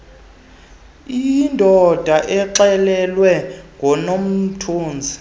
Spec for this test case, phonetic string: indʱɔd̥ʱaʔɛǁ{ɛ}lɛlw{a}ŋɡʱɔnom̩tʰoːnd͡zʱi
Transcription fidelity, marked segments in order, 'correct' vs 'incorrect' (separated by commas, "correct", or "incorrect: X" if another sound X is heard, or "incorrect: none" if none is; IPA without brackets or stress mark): correct, incorrect: ɛ